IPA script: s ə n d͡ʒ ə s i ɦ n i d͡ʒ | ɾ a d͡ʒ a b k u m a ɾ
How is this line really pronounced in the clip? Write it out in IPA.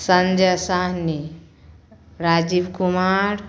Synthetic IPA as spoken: s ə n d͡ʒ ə s a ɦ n i | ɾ a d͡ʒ i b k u m a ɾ